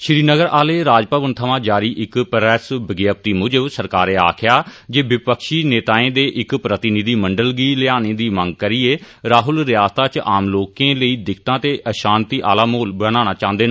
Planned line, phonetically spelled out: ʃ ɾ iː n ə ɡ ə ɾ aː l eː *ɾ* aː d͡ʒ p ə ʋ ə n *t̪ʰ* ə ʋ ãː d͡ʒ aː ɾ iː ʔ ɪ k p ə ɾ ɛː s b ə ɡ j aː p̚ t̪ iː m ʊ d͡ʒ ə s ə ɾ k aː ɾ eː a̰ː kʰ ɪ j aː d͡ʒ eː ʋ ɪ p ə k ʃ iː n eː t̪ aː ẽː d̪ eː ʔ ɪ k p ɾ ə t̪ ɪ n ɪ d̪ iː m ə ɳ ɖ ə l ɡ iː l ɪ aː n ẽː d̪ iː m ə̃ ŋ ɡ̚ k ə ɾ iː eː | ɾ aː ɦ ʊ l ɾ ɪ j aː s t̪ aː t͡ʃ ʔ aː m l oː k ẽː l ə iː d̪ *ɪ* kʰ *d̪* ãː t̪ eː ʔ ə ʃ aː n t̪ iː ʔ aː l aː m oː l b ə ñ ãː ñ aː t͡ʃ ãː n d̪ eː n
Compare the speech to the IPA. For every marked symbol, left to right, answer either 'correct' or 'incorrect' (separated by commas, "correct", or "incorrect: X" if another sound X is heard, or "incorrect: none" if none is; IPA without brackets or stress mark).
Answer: correct, correct, correct, incorrect: t̪